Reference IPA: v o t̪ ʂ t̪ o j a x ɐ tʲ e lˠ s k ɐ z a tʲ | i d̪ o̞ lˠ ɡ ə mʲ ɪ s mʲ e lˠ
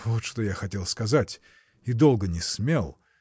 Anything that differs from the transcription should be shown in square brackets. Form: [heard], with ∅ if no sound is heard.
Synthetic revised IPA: v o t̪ ʂ t̪ o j a x ɐ tʲ e lˠ s k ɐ z a tʲ | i d̪ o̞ lˠ ɡ ə [nʲ] ɪ s mʲ e lˠ